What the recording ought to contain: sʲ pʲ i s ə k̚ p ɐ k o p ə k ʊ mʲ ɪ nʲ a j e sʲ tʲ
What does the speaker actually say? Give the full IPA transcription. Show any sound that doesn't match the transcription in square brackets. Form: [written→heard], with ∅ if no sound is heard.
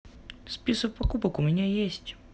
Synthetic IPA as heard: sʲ pʲ i s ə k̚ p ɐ k [o→u] p ə k ʊ mʲ ɪ nʲ a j e sʲ tʲ